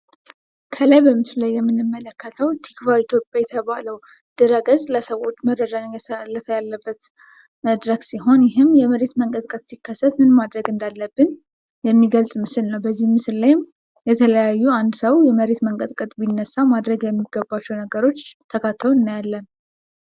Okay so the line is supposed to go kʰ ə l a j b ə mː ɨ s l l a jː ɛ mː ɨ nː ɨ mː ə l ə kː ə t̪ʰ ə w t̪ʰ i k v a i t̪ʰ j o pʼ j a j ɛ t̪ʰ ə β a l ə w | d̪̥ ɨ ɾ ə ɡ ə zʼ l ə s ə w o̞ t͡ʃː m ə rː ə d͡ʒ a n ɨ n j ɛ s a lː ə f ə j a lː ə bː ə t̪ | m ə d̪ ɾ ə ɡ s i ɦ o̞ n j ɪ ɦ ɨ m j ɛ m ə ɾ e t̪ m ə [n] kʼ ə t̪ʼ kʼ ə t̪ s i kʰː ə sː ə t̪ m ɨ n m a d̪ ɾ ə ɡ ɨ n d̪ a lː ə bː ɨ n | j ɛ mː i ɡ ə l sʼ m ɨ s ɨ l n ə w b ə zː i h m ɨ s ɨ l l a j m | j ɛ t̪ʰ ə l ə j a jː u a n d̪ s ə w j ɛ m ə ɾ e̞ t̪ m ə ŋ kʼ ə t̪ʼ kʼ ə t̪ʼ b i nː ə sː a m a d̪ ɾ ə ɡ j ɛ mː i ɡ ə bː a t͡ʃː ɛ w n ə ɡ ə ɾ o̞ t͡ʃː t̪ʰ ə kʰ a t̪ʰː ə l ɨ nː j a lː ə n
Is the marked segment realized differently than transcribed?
yes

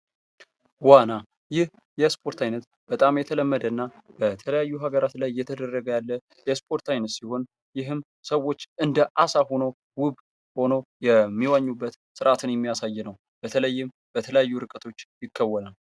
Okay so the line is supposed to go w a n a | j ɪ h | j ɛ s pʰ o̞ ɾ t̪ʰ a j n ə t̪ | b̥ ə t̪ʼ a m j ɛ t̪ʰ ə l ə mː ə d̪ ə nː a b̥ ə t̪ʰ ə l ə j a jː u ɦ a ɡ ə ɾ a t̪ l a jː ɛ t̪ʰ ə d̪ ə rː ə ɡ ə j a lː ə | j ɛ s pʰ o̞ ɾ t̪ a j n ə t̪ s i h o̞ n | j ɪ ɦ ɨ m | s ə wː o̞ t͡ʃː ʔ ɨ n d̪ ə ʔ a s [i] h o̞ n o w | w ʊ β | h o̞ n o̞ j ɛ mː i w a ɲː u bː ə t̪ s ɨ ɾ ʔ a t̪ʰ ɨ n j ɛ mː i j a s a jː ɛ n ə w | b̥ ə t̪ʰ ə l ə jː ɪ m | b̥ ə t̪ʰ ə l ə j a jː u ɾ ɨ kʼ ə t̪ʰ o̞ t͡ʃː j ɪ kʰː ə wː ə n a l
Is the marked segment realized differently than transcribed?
yes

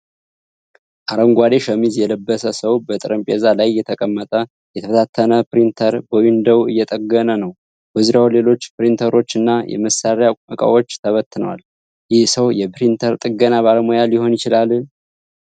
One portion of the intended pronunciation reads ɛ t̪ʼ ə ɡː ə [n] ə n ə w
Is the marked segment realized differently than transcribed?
no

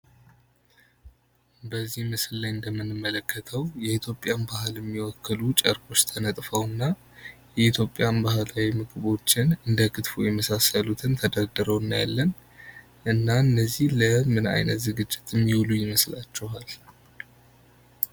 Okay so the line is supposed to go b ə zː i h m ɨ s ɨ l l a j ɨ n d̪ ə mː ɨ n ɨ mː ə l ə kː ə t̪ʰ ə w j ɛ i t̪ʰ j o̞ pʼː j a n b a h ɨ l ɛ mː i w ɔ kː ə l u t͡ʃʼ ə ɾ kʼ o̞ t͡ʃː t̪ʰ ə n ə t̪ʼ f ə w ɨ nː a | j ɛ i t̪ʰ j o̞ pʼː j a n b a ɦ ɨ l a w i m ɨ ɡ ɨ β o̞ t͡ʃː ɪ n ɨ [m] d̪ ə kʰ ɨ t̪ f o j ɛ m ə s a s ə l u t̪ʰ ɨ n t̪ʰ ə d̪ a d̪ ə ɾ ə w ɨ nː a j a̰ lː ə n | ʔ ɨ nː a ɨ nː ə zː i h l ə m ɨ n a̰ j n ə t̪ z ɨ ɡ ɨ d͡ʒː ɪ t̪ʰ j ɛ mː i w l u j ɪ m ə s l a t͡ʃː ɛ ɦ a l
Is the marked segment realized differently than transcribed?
yes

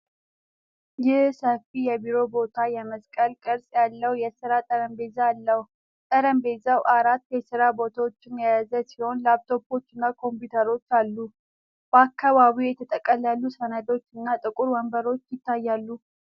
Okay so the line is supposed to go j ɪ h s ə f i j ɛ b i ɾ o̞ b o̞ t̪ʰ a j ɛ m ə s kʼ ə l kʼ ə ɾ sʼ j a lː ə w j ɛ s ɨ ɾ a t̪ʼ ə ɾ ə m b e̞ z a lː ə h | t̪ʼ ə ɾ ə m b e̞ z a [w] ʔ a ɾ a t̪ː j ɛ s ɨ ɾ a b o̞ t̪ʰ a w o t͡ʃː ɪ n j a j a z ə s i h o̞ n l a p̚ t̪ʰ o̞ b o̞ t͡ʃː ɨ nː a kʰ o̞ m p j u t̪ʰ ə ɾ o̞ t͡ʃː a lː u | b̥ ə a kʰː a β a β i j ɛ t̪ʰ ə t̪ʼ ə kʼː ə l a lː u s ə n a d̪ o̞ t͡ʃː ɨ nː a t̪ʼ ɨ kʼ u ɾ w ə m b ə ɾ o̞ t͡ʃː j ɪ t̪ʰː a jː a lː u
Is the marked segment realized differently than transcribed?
no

